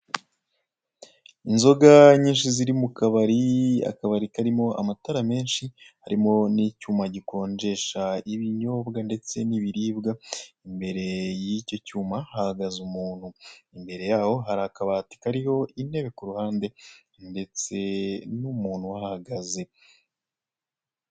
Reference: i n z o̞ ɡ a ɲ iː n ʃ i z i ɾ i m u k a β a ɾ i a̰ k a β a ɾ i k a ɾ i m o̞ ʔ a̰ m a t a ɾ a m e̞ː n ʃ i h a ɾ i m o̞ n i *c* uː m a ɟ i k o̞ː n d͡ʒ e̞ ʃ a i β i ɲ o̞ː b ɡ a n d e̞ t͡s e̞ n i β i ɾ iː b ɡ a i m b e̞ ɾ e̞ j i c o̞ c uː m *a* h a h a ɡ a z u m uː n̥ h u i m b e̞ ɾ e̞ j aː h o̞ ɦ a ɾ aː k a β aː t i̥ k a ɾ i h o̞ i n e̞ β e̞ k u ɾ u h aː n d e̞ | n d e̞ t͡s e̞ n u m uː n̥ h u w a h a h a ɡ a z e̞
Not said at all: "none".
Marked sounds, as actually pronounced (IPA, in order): c, a

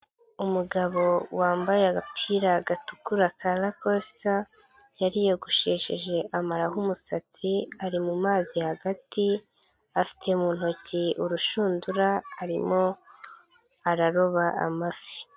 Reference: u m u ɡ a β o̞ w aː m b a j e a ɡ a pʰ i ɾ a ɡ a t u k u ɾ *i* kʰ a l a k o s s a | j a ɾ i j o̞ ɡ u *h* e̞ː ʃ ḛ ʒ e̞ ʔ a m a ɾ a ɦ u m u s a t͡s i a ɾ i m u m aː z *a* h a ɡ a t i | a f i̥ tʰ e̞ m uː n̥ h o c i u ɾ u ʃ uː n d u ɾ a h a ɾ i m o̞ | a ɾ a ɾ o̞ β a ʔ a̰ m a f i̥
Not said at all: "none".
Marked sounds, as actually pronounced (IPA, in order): a, ʃ, i

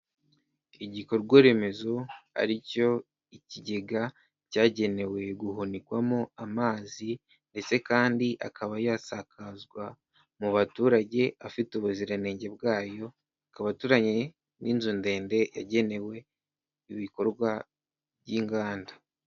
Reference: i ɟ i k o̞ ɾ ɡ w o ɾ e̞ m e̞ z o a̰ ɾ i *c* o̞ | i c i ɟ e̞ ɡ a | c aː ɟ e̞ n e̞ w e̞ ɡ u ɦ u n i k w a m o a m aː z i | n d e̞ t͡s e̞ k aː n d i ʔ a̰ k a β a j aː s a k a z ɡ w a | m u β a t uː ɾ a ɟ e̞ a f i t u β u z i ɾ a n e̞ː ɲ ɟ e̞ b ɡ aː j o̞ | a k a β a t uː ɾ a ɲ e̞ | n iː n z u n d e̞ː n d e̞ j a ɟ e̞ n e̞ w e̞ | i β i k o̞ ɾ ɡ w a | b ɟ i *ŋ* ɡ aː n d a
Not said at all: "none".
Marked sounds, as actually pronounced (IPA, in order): c, ŋ

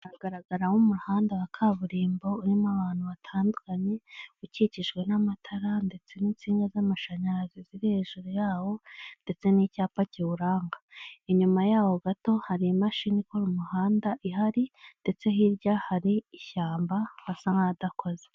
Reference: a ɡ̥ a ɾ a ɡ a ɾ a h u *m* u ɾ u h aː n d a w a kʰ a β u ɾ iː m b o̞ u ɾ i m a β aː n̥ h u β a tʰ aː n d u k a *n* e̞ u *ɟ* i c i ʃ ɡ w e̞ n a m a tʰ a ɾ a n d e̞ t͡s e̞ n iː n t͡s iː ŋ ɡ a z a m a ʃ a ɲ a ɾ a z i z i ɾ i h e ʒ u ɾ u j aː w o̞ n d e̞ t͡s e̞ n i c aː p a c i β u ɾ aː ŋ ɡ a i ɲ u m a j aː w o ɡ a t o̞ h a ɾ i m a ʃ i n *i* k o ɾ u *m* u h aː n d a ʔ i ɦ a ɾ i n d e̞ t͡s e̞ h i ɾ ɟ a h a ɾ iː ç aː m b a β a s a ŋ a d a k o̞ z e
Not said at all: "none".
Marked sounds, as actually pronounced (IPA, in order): m, ɲ, c, i, m

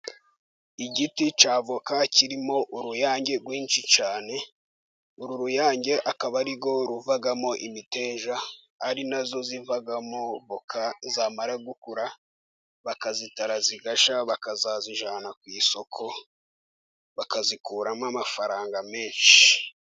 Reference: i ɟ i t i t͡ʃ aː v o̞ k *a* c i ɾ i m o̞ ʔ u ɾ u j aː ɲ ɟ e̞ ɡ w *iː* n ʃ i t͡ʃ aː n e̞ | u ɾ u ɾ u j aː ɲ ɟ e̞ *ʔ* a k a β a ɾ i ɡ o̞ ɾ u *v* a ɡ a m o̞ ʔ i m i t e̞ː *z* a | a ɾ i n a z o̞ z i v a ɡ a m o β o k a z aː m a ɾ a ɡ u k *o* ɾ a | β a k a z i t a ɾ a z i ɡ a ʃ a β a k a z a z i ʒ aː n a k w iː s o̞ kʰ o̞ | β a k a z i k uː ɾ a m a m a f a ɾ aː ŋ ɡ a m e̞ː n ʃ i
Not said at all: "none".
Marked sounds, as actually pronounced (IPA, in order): a, iː, ʔ, v, ʒ, u

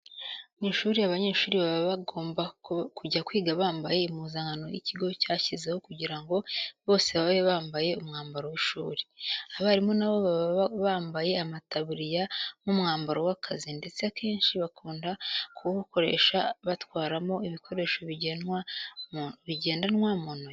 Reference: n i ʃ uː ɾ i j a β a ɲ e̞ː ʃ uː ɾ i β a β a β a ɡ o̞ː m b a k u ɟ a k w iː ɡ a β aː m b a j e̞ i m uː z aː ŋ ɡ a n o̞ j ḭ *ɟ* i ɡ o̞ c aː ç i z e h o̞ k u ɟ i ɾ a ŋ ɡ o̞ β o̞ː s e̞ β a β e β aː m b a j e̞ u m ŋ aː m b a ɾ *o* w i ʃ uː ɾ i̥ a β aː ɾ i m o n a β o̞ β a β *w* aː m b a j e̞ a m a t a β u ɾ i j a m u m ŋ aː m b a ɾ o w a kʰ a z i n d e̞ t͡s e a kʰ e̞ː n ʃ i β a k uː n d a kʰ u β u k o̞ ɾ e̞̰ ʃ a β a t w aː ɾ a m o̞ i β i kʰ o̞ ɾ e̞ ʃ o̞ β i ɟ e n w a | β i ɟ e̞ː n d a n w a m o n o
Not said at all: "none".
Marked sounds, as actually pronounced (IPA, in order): c, o, β

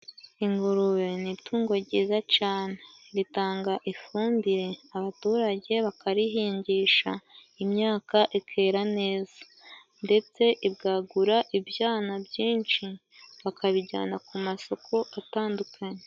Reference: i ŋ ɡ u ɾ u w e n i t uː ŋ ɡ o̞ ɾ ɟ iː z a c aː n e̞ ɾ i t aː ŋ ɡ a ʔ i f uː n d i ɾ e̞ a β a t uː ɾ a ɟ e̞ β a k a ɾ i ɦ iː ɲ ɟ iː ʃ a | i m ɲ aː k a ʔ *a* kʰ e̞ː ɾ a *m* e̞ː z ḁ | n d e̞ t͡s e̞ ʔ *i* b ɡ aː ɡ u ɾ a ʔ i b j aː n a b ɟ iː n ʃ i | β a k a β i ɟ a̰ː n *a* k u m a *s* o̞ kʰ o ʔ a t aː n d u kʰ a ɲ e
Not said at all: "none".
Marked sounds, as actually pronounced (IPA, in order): i, n, i, a, s

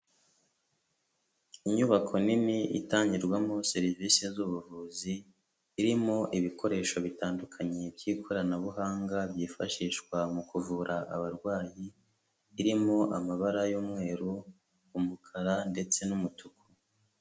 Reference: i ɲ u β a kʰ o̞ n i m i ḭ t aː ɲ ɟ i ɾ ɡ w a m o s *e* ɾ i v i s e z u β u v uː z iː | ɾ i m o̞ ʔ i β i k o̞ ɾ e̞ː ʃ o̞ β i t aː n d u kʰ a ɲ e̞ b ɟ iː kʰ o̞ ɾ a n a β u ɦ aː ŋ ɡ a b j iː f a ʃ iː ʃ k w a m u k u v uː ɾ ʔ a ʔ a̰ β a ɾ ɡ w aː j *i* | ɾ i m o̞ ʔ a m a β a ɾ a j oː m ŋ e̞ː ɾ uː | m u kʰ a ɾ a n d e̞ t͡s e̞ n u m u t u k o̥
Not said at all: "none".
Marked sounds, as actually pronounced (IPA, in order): e, iː

